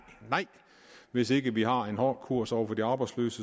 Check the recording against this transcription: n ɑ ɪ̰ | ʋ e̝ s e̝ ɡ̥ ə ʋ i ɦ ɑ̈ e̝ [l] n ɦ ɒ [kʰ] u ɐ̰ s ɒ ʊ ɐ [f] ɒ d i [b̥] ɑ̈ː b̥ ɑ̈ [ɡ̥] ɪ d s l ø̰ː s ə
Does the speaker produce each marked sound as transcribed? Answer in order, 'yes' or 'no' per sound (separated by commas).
no, yes, yes, no, no